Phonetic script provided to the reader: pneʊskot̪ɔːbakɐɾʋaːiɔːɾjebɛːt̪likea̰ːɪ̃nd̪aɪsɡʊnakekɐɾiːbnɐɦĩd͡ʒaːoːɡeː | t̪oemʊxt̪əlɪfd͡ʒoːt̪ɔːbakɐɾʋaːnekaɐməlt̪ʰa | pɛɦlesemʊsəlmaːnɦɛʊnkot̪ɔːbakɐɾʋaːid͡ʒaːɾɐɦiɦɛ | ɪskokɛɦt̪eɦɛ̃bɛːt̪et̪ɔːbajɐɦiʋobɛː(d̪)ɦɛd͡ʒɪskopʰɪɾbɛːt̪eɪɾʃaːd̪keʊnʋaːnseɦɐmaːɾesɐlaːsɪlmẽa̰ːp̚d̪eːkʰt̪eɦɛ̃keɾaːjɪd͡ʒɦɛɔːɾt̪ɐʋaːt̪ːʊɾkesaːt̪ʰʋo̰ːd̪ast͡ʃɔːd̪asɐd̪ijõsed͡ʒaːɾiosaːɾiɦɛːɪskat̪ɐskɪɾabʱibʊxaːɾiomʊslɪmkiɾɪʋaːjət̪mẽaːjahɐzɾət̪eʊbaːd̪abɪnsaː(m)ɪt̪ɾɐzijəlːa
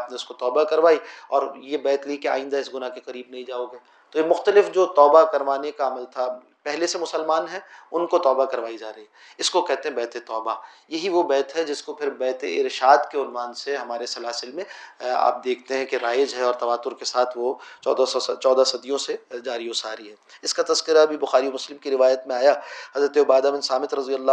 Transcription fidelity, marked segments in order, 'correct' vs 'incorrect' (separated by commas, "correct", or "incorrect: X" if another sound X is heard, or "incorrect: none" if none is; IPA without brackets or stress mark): incorrect: t̪, correct